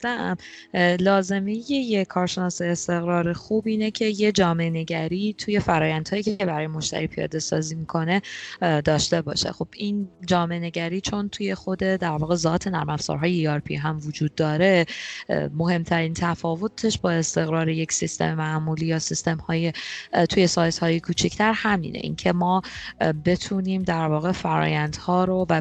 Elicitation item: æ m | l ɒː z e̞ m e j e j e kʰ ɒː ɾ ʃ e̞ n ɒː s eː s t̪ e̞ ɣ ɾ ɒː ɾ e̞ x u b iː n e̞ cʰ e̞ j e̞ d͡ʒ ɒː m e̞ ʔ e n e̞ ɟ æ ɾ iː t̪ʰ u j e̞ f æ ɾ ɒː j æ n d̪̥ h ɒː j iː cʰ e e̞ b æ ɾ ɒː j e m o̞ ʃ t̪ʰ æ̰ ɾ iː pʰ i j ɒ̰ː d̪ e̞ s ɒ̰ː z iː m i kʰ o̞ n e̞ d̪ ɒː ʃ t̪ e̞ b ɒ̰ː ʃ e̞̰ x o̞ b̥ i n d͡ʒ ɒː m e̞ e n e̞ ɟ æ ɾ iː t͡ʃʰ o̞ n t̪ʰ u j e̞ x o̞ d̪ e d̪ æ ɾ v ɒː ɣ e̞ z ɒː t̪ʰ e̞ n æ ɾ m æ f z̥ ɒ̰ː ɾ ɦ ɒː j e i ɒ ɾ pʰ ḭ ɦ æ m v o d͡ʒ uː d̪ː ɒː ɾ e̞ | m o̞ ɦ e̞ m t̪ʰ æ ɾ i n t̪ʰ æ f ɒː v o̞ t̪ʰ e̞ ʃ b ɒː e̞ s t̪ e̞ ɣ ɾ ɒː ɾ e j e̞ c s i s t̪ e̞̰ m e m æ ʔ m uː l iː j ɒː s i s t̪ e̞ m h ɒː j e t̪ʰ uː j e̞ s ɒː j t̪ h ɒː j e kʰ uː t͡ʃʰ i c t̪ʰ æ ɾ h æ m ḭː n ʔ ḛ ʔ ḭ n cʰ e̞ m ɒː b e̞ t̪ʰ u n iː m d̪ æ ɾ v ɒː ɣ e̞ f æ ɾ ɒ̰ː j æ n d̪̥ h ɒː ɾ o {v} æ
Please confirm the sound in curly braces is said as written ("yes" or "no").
yes